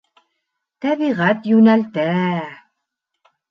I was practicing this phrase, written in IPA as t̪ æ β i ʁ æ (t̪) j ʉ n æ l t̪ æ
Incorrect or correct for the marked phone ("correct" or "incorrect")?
correct